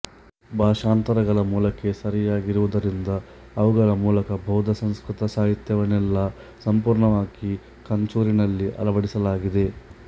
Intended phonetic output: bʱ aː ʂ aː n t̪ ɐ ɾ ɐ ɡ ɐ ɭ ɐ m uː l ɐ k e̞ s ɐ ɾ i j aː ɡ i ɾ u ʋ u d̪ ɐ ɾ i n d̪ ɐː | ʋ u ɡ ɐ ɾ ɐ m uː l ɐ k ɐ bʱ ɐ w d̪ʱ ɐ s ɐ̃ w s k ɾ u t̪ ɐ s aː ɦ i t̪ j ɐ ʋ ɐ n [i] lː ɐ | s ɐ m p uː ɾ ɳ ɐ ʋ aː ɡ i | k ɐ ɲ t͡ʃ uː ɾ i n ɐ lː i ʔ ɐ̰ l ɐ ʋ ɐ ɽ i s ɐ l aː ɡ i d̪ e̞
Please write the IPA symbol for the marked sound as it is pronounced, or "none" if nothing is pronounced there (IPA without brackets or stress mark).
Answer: ɛ